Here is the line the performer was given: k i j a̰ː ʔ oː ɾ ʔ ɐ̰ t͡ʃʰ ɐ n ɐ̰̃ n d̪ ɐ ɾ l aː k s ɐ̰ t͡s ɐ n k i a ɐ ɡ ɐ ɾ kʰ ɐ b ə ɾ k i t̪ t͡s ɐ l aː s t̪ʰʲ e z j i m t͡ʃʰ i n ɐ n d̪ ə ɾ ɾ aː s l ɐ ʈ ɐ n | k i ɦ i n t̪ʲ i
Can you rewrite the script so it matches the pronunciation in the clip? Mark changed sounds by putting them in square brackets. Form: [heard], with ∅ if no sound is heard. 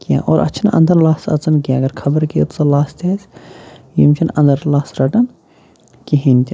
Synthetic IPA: k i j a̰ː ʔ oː ɾ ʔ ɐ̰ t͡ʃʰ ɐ n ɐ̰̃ n d̪ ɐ ɾ l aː [∅] s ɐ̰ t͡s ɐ n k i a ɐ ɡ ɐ ɾ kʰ ɐ b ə ɾ k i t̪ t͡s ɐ l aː s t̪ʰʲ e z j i m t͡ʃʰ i n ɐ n d̪ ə ɾ [l] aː s [ɾ] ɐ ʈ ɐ n | k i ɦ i n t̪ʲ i